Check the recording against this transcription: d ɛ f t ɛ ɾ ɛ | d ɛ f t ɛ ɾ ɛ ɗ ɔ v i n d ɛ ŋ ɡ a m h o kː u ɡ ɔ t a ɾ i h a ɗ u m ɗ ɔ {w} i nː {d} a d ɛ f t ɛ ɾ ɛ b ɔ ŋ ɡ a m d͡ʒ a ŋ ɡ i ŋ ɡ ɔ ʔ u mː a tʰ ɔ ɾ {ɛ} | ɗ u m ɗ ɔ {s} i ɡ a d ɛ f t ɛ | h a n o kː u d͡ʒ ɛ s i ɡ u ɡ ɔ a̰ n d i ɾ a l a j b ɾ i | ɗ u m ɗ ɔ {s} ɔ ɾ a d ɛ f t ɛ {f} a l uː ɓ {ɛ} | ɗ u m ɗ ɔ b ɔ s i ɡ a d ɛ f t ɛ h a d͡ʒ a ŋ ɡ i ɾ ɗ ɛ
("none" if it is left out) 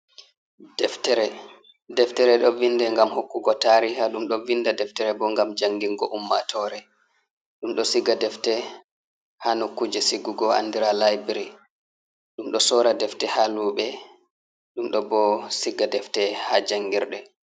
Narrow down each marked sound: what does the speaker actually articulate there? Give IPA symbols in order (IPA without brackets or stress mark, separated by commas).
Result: v, d, ɛ, s, s, h, ɛ